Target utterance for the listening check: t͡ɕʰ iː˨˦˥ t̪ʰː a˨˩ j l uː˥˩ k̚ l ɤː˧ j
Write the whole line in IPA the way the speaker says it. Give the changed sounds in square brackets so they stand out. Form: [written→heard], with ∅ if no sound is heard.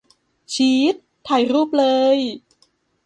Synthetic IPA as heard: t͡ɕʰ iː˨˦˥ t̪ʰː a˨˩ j [l→ɾ] uː˥˩ [k̚→p̚] l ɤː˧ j